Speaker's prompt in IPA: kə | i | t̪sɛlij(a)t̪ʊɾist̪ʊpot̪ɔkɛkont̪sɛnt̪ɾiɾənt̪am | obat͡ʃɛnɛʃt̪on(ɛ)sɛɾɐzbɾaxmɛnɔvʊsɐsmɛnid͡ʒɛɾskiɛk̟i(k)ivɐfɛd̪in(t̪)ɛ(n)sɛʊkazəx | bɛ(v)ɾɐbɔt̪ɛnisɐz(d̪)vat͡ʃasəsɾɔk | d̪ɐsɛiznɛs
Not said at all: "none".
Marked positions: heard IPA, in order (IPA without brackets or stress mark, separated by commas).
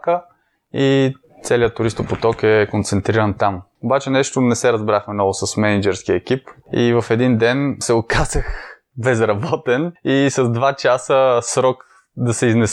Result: ə, ɛ, p, d̪, n, z, d̪